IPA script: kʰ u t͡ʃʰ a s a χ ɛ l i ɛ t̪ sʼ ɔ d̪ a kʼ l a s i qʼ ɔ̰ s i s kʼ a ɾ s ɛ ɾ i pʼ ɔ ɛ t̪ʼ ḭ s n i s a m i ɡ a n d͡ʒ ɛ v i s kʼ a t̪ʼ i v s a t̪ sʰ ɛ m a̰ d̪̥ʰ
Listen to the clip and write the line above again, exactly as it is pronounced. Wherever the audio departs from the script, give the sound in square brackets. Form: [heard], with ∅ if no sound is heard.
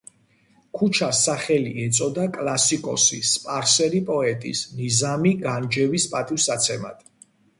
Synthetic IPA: kʰ u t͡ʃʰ a s a χ ɛ l i ɛ t̪ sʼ ɔ d̪ a kʼ l a s i [kʼ] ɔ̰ s i s [pʼ] a ɾ s ɛ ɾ i pʼ ɔ ɛ t̪ʼ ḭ s n i [z] a m i ɡ a n d͡ʒ ɛ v i s [pʼ] a t̪ʼ i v s a t̪ sʰ ɛ m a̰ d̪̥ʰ